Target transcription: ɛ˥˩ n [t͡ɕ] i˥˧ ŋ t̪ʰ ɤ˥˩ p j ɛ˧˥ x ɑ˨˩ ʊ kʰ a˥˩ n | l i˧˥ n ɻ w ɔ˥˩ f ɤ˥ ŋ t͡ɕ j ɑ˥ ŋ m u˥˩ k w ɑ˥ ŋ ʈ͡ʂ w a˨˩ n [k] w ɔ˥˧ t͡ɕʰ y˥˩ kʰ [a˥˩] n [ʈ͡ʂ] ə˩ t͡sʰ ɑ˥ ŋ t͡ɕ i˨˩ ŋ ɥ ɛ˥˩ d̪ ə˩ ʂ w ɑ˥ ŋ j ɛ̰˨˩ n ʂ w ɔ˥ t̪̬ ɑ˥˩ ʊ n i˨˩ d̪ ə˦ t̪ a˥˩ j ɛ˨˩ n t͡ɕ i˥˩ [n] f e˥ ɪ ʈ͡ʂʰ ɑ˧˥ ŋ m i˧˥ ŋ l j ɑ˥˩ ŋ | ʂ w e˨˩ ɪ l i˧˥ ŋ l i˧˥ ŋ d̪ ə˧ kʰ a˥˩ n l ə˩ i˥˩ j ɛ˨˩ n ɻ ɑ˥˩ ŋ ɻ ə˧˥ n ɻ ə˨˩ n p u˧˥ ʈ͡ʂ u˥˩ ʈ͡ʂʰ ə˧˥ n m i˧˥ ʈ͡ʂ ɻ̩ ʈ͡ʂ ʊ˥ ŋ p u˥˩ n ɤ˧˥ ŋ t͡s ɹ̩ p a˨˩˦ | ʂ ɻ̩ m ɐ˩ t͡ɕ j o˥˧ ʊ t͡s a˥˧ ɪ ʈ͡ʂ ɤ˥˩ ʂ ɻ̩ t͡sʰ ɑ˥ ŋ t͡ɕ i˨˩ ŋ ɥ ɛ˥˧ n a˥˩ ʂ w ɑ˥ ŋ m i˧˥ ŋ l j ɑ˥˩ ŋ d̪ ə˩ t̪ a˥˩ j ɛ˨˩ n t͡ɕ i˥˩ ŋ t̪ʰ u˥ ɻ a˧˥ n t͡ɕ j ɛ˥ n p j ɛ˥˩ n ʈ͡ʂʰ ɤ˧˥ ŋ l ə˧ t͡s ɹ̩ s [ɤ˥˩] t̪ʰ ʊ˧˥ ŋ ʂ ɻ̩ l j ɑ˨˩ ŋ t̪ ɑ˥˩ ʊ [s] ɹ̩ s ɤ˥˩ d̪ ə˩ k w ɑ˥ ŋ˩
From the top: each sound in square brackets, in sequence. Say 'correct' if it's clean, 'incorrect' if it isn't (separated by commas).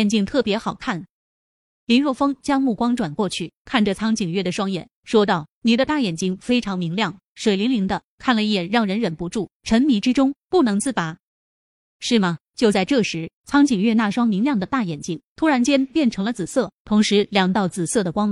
correct, correct, correct, correct, incorrect, correct, incorrect